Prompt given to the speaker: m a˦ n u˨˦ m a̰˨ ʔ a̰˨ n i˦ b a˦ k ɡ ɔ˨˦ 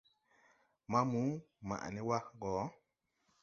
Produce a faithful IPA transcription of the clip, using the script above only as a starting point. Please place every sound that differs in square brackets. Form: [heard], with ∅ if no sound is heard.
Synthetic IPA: m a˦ [m] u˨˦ m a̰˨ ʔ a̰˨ n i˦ [w] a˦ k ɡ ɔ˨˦